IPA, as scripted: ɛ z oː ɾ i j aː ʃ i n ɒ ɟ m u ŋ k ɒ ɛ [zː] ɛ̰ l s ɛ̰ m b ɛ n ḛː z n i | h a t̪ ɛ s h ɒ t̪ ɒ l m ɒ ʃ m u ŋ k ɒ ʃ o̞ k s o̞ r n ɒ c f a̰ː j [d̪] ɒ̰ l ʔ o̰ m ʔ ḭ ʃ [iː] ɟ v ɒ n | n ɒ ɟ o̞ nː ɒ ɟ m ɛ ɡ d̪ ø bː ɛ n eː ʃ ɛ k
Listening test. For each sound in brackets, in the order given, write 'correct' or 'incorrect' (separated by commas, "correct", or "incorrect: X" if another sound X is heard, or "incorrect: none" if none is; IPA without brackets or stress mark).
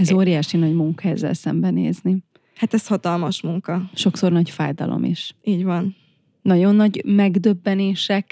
correct, correct, correct